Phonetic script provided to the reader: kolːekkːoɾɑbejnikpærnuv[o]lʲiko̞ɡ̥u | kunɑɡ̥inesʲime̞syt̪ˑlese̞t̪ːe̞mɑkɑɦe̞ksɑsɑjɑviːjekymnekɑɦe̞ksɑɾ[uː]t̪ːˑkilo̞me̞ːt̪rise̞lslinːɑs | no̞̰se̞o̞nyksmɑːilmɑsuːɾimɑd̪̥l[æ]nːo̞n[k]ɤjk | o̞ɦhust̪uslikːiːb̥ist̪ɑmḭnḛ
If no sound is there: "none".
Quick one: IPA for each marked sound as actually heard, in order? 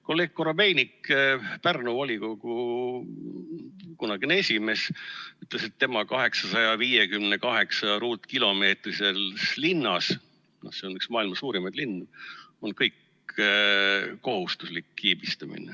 o, uː, i, k

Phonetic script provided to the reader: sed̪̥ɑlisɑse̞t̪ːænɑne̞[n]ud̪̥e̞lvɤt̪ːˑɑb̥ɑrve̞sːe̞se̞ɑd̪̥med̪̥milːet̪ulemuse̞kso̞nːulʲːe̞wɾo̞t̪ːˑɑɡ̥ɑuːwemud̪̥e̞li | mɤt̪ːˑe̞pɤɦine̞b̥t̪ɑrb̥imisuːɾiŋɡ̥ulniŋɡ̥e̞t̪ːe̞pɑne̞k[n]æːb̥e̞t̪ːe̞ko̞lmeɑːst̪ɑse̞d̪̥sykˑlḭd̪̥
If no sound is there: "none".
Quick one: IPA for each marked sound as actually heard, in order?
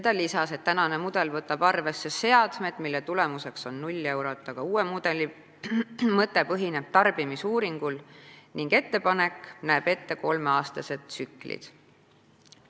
m, n

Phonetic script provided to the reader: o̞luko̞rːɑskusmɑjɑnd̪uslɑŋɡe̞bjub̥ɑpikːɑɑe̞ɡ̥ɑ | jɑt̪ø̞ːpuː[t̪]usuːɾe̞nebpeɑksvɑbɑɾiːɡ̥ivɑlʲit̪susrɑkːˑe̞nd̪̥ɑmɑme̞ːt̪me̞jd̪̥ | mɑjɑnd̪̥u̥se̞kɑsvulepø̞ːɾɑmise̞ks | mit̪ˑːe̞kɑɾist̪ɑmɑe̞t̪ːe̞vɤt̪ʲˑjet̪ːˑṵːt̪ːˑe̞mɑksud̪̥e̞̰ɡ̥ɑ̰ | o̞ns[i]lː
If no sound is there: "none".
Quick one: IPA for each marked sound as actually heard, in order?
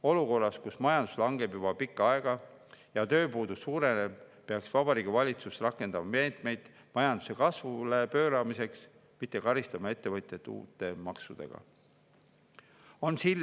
d̪, i

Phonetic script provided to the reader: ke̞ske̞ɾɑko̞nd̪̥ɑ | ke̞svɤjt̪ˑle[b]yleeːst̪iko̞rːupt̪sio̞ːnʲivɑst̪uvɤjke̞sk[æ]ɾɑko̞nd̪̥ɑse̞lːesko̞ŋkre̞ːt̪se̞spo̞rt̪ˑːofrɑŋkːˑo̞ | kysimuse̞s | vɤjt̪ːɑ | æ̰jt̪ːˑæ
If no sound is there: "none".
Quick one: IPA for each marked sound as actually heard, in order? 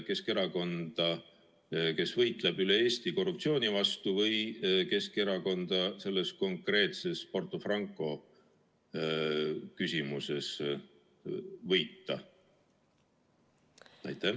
b, e

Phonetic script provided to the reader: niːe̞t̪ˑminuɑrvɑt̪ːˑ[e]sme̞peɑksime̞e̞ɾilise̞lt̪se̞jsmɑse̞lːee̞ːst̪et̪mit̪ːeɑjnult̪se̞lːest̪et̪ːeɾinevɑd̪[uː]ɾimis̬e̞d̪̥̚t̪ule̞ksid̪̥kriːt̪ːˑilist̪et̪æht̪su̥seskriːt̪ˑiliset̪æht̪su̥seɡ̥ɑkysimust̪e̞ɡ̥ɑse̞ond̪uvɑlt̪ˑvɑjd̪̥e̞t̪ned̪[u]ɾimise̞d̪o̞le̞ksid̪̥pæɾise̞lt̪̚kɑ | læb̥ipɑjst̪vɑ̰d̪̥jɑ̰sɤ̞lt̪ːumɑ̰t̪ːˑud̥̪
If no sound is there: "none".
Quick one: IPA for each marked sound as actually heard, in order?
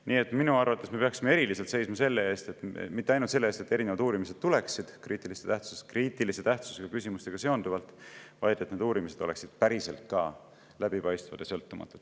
e, uː, uː

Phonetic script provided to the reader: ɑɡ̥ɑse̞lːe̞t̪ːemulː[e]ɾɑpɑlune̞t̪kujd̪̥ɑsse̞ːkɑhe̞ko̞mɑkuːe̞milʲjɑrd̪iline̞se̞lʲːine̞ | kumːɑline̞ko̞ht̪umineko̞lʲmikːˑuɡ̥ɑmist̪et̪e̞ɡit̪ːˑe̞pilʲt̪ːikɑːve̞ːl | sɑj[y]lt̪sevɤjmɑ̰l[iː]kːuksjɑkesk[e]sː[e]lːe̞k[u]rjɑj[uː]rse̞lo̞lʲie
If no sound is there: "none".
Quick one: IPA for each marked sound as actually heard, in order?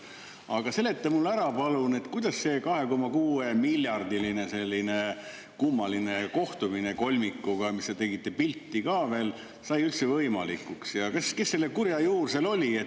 æ, y, i, e, e, u, uː

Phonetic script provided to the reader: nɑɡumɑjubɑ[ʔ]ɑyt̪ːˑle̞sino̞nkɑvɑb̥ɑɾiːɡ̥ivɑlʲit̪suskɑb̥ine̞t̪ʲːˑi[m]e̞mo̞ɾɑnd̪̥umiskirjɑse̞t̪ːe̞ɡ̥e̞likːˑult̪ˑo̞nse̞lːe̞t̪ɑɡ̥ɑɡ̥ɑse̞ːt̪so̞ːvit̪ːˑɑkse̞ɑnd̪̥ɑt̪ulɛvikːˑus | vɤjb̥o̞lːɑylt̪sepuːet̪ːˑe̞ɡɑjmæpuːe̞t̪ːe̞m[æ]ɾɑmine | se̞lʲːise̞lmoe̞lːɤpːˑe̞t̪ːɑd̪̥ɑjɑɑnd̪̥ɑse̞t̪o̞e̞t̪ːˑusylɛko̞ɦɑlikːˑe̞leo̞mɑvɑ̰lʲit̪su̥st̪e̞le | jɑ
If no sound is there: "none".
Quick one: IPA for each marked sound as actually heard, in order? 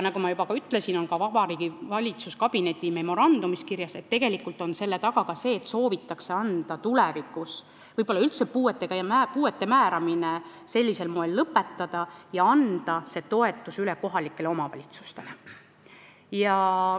k, m, æː

